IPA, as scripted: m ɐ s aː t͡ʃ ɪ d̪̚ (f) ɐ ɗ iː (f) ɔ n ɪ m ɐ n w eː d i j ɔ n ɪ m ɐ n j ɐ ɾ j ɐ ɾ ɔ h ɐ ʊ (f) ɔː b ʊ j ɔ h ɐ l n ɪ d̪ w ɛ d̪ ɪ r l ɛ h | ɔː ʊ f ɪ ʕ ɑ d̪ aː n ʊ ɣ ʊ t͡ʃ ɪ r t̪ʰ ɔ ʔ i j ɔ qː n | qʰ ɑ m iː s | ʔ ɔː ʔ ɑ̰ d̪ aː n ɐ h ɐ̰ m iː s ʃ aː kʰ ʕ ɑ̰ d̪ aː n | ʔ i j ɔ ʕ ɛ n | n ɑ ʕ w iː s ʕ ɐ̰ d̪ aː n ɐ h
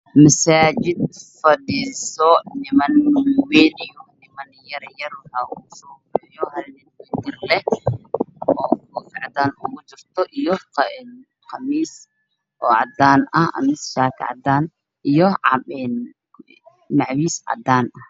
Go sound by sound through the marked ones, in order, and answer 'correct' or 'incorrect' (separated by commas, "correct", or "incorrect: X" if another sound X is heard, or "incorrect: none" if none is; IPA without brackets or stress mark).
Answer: correct, incorrect: s, incorrect: s